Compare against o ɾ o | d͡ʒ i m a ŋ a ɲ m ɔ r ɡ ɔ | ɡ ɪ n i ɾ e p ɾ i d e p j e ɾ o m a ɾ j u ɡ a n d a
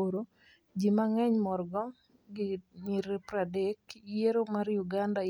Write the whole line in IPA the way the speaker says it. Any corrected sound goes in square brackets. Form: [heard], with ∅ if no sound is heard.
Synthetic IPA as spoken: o ɾ o | d͡ʒ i m a ŋ [ɛ] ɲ m ɔ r ɡ ɔ | ɡ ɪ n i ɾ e p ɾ [a] d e [k] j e ɾ o m a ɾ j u ɡ a n d a